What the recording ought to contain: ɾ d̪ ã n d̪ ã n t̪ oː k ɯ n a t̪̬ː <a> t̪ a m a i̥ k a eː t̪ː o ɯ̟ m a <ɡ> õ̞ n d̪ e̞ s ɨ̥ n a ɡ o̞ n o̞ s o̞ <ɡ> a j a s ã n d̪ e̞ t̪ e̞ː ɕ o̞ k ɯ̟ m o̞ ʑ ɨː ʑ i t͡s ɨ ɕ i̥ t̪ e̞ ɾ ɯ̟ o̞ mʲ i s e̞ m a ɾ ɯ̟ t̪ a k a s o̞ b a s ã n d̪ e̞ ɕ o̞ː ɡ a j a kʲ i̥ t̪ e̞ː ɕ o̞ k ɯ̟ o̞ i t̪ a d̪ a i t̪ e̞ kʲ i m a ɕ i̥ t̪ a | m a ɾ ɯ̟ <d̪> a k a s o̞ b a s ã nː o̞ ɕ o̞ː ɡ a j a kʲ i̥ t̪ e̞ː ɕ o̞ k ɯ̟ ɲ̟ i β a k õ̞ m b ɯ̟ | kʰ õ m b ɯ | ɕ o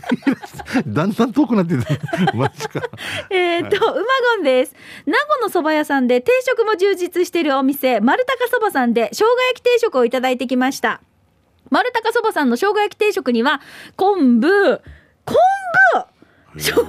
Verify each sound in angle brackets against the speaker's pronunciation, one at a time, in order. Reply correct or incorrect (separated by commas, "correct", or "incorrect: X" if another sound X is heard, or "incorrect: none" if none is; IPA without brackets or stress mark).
incorrect: e, correct, incorrect: b, incorrect: t̪